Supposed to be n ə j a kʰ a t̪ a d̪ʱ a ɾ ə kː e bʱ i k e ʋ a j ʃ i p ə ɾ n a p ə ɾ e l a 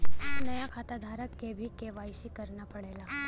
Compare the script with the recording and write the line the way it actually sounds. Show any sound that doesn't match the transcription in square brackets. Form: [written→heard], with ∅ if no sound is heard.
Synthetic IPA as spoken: n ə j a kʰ a t̪ a d̪ʱ a ɾ ə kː e bʱ i k e ʋ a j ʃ i [p→k] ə ɾ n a p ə [ɾ→ɽ] e l a